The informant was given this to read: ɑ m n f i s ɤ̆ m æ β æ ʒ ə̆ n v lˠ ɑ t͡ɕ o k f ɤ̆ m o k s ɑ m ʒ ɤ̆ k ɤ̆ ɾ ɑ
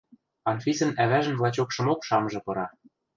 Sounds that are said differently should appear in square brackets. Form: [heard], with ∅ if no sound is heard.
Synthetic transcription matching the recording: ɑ [∅] n f i s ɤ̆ [n] æ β æ ʒ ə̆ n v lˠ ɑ t͡ɕ o k [ʃ] ɤ̆ m o k [ʃ] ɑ m ʒ ɤ̆ [p] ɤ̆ ɾ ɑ